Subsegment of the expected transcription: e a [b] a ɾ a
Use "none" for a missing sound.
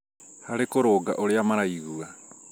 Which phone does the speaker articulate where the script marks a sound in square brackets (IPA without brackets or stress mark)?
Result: m